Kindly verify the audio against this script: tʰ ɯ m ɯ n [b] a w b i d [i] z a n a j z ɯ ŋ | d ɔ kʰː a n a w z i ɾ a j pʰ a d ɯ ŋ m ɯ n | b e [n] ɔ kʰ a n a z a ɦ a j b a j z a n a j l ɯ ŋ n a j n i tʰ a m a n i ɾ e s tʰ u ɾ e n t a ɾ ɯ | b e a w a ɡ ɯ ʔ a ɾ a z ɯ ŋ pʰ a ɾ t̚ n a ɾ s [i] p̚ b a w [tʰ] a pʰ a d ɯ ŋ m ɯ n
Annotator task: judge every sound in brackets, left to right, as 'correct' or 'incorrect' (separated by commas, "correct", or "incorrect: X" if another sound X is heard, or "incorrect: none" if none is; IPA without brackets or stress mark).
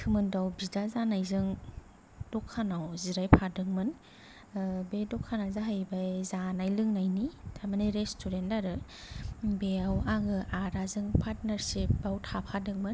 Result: incorrect: d, incorrect: a, incorrect: d, correct, correct